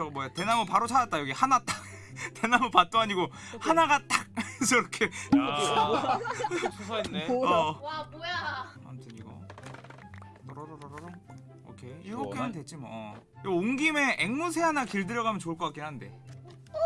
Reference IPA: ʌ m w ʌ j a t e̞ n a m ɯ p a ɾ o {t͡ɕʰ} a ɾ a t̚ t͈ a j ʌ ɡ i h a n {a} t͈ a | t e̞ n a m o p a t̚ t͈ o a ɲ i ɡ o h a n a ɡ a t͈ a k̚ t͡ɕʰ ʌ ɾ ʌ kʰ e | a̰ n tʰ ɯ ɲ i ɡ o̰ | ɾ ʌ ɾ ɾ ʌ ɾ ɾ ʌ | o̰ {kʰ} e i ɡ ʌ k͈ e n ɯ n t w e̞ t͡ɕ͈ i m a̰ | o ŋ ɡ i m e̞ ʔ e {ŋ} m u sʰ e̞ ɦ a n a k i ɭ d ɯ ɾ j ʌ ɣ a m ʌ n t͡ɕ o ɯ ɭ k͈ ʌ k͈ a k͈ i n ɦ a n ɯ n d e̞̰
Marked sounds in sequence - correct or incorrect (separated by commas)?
correct, correct, correct, correct